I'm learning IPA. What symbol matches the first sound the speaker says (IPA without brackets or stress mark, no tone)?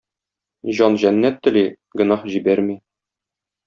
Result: ʑ